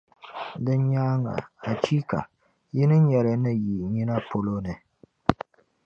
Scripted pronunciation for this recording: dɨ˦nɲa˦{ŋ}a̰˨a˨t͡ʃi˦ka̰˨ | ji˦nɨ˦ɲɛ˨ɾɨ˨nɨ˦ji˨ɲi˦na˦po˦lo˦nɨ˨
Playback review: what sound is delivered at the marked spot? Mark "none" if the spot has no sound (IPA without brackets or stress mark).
ŋ